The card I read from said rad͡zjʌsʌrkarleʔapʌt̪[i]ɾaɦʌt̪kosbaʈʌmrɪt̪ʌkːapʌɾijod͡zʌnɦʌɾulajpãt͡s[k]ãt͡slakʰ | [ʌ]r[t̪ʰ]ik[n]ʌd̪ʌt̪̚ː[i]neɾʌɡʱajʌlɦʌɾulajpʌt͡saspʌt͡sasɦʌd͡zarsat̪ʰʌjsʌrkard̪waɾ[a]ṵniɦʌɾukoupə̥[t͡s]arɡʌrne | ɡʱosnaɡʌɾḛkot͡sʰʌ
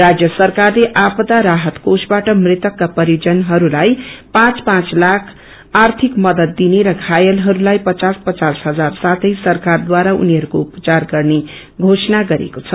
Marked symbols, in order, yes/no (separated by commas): no, no, no, yes, no, yes, yes, yes